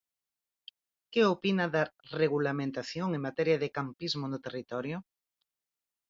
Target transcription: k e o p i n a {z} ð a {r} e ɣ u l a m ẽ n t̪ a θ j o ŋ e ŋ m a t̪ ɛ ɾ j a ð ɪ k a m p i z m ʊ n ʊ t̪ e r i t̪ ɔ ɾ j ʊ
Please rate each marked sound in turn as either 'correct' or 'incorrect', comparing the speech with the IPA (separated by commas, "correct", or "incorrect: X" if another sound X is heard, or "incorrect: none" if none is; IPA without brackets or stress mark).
incorrect: none, correct